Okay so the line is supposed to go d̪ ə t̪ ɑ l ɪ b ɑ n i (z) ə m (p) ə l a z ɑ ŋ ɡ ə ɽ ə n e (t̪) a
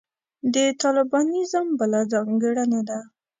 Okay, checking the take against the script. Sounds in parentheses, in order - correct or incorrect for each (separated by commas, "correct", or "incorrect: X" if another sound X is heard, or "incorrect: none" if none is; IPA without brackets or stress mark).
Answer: correct, incorrect: b, incorrect: d̪